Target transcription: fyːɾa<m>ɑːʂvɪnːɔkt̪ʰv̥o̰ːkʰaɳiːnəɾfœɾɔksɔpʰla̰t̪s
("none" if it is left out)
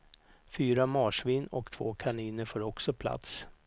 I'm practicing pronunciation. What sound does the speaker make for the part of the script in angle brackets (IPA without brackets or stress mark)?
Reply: m